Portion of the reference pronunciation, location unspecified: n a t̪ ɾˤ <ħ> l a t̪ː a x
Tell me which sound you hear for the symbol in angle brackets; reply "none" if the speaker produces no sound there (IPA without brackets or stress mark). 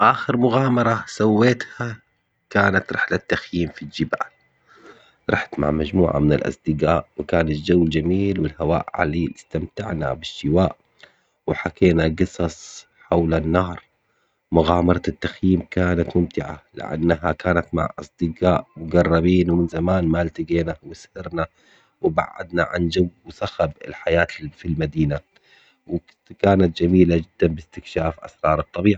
ħ